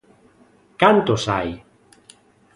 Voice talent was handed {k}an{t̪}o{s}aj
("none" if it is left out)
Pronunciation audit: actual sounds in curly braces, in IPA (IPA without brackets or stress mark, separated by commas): k, t̪, s